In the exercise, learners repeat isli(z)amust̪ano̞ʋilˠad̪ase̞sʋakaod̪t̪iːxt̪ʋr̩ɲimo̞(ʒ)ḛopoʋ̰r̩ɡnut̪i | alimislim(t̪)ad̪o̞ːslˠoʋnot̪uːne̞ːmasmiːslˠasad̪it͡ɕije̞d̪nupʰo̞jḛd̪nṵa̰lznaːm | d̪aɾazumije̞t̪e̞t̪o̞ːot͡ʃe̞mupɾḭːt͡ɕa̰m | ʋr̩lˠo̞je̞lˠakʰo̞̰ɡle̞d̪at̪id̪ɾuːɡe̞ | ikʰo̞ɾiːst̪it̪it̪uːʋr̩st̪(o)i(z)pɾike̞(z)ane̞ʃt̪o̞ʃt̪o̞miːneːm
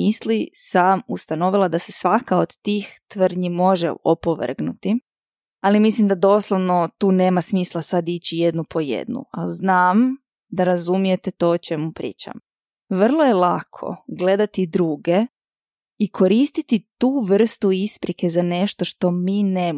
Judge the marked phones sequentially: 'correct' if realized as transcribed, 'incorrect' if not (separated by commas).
incorrect, correct, incorrect, incorrect, incorrect, correct